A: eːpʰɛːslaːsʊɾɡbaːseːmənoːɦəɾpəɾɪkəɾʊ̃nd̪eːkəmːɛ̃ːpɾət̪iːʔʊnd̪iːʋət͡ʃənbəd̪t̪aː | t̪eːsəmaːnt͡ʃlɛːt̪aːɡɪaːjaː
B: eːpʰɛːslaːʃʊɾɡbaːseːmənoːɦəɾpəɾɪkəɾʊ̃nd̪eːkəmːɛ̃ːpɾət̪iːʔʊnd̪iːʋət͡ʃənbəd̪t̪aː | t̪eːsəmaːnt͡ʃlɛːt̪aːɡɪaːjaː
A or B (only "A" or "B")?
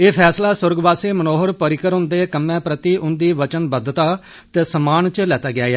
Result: A